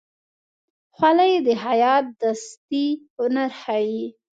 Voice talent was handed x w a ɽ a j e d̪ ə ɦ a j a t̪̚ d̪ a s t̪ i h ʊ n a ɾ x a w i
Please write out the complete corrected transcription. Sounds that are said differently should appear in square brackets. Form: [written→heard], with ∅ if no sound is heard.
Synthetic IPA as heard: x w a [ɽ→l] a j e d̪ ə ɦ a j [a→ɑ] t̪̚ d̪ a s t̪ i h ʊ n a ɾ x a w i